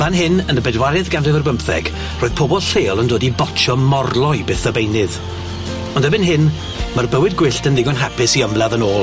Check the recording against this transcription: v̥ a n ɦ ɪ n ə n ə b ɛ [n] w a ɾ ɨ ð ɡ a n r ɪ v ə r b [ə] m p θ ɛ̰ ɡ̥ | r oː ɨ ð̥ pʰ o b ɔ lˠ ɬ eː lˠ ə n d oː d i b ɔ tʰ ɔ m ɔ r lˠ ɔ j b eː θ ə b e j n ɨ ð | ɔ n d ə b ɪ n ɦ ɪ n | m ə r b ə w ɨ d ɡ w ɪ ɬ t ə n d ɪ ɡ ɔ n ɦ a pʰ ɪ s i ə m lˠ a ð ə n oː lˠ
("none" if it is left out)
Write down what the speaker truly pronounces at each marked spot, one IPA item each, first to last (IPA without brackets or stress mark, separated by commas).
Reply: d, ə